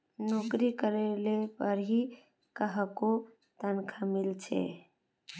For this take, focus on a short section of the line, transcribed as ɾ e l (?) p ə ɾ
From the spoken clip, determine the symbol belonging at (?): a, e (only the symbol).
e